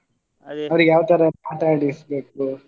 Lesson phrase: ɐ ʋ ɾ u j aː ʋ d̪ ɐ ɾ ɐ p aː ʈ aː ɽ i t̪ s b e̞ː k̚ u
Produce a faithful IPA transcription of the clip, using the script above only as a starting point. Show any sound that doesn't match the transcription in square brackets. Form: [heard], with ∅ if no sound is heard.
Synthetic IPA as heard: ɐ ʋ ɾ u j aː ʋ [t̪] ɐ ɾ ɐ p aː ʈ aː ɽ i [∅] s b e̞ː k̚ u